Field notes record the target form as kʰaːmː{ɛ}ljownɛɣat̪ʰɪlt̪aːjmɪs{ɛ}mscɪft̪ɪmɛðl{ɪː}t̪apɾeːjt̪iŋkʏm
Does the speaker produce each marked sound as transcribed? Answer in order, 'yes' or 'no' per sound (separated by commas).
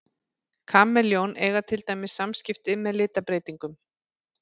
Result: yes, no, yes